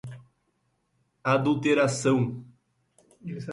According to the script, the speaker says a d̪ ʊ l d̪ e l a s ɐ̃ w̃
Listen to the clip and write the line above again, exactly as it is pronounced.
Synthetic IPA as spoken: a d̪ u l t̪ e ɾ a s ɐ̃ w̃